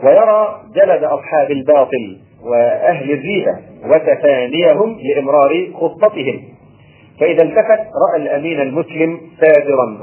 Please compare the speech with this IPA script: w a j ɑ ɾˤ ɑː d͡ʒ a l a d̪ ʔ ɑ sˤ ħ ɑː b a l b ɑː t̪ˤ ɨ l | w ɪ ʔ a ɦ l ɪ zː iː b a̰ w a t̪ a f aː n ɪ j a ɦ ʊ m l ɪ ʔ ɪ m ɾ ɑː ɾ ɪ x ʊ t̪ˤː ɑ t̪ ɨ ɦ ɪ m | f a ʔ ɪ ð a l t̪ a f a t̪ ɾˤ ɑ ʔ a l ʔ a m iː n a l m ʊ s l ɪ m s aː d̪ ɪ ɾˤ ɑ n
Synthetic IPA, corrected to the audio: w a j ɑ ɾˤ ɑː d͡ʒ a l a d̪ ʔ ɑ sˤ ħ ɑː b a l b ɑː t̪ˤ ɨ l | w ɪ ʔ a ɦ l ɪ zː iː b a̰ w a t̪ a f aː n ɪ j a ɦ ʊ m l ɪ ʔ ɪ m ɾ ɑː ɾ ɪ x ʊ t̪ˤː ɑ t̪ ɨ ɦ ɪ m | f a ʔ ɪ ð a l t̪ a f a t̪ ɾˤ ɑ ʔ a l ʔ a m iː n a l m ʊ s l ɪ m s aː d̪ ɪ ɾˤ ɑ n